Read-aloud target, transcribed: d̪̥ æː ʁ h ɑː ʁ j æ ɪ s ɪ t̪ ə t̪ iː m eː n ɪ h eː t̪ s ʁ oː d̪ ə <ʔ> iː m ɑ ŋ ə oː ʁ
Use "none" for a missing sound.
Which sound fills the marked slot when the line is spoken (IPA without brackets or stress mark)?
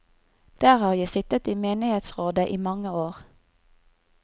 ʔ